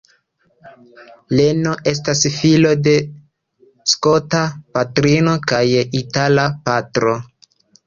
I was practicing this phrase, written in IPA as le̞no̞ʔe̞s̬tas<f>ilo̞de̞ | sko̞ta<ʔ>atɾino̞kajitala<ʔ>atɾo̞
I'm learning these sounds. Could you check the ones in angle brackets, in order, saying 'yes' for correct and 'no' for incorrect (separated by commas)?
yes, no, no